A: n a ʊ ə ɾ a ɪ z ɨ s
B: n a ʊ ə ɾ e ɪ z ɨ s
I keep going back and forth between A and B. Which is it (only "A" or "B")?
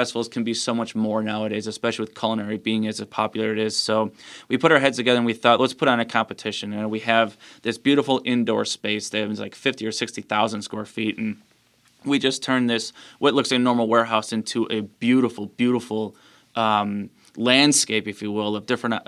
B